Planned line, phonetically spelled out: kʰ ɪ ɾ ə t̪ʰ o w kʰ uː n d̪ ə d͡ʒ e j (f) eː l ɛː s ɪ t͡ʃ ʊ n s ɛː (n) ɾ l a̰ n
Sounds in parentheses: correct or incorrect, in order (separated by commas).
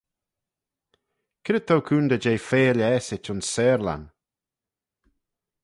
correct, incorrect